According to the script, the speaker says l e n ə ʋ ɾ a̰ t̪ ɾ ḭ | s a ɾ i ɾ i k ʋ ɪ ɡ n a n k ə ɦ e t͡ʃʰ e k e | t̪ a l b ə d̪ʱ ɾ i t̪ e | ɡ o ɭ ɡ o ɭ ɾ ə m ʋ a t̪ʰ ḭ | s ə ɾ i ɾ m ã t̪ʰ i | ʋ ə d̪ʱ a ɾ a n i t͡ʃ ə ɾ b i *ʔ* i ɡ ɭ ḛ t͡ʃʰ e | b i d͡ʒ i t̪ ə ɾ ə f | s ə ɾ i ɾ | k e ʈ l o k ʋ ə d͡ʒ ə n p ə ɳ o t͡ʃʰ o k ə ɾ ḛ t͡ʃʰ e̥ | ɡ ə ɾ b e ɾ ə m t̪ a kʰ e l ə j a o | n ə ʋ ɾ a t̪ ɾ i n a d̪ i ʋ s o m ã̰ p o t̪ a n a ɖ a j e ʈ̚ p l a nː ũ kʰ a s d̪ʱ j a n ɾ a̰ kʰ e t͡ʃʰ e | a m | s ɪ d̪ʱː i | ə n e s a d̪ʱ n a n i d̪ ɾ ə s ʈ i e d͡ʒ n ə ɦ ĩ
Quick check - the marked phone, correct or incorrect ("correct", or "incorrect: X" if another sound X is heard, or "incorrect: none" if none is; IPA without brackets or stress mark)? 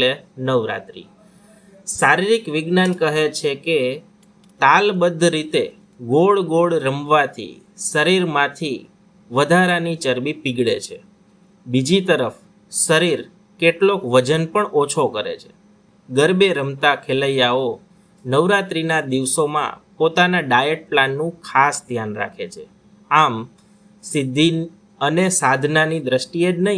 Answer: incorrect: p